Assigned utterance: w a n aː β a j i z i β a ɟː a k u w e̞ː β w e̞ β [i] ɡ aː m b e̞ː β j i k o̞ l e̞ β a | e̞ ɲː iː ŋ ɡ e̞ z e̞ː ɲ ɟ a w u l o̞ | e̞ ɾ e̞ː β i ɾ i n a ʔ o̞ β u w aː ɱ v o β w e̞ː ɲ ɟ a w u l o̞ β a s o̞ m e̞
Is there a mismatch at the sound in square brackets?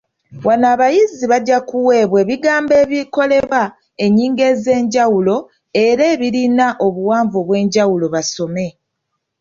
no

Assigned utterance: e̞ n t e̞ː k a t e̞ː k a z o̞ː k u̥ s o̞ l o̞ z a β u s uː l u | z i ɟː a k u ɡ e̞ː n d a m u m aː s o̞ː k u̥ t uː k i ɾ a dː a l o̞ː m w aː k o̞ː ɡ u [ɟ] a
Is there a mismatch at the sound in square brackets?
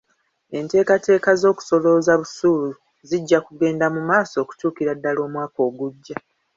yes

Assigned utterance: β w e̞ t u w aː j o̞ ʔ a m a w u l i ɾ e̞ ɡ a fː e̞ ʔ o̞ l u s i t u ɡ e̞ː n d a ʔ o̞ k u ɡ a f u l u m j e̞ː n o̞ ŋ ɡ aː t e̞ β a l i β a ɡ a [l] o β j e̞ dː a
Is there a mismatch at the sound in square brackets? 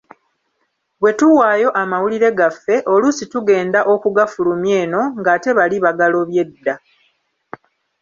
no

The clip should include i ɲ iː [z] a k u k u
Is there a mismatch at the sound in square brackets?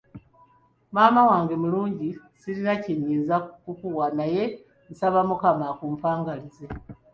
no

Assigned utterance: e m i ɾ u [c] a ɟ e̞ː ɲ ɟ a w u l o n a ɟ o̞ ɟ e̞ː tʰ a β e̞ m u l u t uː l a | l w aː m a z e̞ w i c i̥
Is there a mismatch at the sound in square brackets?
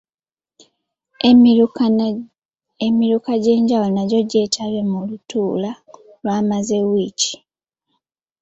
yes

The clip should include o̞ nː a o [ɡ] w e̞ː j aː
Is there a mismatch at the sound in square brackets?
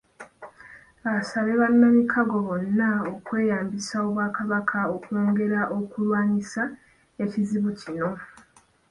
yes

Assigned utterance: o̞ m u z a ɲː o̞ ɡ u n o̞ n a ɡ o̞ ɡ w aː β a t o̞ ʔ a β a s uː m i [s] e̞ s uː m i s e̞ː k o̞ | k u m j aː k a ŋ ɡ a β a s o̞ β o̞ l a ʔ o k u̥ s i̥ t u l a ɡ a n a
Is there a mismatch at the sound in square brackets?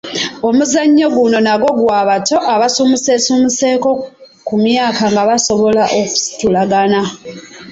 no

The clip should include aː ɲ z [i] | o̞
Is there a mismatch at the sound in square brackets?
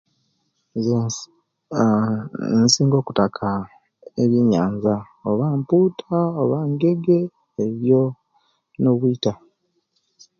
yes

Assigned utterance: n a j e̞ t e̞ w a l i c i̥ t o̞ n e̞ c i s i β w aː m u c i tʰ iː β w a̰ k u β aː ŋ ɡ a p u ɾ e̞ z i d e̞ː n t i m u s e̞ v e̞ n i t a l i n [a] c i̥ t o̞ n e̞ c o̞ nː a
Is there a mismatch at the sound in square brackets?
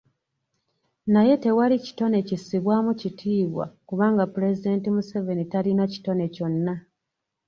no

